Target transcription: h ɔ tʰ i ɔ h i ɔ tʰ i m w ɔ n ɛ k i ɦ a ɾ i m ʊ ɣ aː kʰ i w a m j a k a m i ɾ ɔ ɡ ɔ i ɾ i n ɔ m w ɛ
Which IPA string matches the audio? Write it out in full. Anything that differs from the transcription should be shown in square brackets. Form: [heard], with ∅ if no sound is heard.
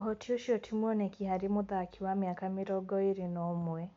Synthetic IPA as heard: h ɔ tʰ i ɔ [ʃ] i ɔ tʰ i m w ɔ n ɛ k i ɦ a ɾ i m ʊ [ð] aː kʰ i w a m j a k a m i ɾ ɔ ɡ ɔ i ɾ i n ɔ m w ɛ